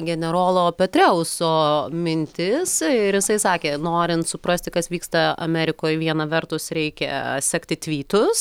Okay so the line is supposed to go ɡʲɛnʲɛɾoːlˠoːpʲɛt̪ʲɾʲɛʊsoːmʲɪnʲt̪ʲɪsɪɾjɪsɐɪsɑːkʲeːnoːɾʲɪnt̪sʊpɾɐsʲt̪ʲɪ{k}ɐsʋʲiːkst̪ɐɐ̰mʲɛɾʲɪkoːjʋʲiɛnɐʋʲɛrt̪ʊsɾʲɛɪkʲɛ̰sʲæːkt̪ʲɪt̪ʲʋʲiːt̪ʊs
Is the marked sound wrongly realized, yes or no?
no